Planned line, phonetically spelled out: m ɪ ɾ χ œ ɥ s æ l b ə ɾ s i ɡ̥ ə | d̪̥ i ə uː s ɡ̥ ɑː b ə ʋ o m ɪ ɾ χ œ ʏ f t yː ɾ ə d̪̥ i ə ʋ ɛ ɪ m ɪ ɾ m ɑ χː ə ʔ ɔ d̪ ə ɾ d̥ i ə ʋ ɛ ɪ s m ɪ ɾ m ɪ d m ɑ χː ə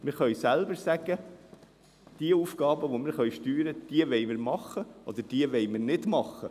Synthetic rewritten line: m ɪ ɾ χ œ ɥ s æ l b ə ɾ s æ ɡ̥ ə | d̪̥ i ə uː f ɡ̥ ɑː b ə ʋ o m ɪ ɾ χ œ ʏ ʃ t yː ɾ ə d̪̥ i ə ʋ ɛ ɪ m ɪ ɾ m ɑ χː ə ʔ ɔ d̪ ə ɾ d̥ i ə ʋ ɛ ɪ m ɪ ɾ n ɪ d m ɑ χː ə